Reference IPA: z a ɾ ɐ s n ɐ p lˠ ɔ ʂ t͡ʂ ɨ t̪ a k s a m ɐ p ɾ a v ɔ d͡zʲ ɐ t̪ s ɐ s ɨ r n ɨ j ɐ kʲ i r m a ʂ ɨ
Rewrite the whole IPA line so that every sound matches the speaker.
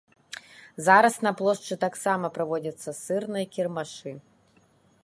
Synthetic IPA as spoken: z a ɾ ɐ s n ɐ p lˠ ɔ ʂ t͡ʂ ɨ t̪ a k s a m ɐ p ɾ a v ɔ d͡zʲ ɐ t̪ sː ɐ s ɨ r n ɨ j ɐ kʲ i r m a ʂ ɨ